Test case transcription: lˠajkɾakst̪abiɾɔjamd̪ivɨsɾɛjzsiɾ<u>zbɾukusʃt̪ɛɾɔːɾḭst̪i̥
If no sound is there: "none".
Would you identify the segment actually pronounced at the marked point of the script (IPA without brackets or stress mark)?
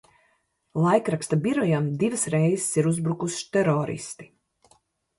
u